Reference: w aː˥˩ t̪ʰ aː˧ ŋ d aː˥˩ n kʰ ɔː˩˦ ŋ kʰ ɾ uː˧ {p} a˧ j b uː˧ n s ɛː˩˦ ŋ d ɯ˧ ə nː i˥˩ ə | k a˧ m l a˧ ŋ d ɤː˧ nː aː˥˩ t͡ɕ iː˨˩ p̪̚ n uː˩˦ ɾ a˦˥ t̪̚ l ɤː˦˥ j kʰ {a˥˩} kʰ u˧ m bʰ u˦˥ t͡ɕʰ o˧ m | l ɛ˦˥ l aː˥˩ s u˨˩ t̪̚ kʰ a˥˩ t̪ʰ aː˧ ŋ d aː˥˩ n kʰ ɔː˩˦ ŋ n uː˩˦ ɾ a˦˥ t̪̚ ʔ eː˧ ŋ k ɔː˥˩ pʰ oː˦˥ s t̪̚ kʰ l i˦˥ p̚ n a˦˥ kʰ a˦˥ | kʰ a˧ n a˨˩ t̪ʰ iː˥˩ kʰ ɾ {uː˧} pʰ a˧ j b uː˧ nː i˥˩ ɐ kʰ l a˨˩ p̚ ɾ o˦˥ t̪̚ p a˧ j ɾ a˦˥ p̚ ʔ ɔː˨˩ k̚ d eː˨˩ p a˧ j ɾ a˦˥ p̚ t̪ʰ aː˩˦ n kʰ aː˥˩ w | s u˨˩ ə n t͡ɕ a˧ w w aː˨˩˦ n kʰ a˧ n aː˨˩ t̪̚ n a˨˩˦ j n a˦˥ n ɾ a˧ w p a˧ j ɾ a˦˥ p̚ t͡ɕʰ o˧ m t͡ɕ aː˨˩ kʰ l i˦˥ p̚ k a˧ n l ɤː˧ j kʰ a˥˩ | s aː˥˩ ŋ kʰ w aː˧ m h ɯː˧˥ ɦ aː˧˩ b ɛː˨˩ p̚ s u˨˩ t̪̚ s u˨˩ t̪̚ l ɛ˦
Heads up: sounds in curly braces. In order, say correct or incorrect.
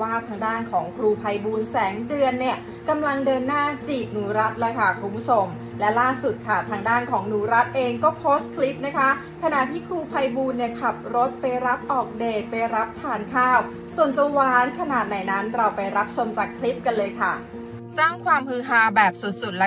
incorrect, correct, correct

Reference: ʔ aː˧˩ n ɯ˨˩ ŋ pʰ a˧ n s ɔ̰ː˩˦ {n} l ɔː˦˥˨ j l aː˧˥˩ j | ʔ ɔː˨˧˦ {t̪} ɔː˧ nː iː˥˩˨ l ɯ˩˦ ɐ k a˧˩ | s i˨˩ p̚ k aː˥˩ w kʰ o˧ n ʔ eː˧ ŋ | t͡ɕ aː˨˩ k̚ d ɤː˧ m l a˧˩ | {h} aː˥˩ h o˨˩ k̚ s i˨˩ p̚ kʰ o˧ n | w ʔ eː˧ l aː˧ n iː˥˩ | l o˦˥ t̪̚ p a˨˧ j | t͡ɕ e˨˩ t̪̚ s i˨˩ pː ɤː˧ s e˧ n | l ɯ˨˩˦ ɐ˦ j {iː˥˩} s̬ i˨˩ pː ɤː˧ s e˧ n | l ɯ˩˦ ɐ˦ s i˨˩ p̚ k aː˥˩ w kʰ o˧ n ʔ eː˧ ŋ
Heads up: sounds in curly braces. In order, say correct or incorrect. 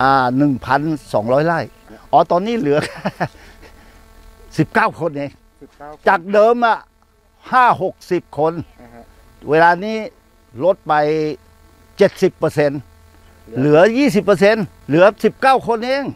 incorrect, correct, correct, correct

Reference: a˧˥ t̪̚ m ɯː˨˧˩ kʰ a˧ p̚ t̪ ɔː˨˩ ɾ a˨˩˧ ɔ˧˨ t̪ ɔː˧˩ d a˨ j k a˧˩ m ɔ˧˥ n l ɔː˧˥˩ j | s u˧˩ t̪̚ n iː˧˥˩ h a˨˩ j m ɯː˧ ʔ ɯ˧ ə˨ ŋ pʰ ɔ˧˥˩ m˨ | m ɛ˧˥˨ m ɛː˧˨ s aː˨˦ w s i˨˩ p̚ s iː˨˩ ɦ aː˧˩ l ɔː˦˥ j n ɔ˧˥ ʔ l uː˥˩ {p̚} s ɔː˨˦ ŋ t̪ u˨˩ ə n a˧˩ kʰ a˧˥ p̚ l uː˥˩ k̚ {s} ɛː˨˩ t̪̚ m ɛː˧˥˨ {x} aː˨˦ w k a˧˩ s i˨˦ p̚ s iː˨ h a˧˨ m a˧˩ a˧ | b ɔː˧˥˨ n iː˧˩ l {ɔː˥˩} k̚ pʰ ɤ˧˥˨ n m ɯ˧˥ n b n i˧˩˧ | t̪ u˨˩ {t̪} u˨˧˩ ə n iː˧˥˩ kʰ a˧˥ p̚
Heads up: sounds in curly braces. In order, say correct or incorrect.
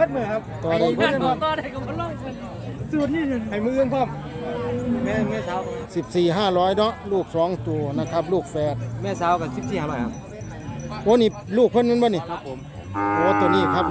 incorrect, incorrect, incorrect, incorrect, correct

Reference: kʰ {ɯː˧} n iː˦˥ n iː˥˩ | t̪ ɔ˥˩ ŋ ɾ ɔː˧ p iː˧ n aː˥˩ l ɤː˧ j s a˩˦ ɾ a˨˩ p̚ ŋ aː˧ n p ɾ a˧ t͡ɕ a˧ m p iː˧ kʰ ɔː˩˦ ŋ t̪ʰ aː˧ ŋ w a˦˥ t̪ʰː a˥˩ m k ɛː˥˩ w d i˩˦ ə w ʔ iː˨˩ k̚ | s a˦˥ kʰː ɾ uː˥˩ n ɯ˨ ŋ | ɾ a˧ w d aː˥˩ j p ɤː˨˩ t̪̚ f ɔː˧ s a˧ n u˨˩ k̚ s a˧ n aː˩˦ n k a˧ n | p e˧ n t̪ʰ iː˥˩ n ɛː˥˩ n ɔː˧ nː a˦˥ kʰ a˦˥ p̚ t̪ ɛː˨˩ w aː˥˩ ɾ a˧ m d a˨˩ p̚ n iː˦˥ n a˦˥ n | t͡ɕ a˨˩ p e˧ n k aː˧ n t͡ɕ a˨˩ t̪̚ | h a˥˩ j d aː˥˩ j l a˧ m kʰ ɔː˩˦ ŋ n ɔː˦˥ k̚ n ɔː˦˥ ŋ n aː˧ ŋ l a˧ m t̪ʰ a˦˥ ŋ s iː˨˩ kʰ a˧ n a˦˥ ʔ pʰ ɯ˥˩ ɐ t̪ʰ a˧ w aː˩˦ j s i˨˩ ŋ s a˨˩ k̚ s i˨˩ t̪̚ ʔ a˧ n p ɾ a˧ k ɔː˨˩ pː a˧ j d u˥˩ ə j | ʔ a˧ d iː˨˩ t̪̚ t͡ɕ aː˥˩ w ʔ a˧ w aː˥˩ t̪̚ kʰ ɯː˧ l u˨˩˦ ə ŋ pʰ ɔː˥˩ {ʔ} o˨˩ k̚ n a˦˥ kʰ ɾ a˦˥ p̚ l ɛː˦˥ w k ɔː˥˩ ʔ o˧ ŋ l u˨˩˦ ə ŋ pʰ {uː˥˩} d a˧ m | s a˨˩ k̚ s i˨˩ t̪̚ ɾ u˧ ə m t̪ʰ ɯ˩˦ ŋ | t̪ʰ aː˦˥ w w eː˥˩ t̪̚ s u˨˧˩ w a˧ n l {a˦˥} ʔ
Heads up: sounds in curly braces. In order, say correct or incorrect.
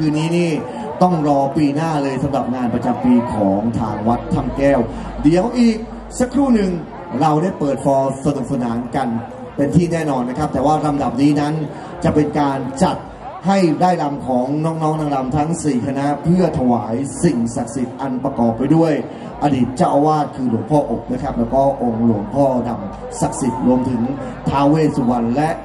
correct, correct, incorrect, incorrect

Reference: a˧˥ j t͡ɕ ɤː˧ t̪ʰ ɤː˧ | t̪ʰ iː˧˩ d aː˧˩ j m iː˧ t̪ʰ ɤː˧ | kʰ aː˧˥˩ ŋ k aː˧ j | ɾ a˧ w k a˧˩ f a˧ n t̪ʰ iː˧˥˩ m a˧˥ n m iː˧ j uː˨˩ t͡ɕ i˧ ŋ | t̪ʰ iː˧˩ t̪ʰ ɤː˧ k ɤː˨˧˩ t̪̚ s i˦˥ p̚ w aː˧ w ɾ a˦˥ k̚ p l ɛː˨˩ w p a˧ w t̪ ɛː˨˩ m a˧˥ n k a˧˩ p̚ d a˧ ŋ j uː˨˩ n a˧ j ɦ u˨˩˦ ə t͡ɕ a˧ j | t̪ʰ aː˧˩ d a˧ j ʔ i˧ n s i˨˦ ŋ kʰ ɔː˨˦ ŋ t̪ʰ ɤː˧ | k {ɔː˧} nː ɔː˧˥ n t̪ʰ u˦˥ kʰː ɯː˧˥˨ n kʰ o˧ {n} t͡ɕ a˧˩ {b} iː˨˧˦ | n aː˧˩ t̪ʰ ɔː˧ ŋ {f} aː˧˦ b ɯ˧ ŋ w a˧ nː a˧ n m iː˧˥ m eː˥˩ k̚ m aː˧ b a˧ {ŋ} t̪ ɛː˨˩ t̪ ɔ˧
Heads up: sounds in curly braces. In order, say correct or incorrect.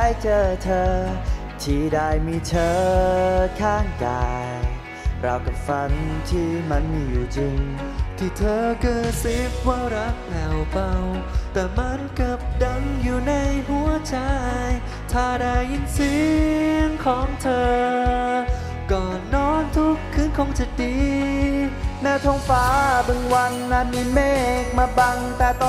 incorrect, incorrect, incorrect, correct, correct

